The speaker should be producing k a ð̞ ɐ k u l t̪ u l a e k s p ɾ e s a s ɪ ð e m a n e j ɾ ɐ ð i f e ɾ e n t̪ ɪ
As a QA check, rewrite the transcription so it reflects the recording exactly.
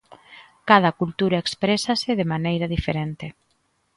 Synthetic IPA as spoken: k a ð̞ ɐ k u l t̪ u ɾ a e k s p ɾ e s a s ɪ ð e m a n e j ɾ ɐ ð i f e ɾ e n t̪ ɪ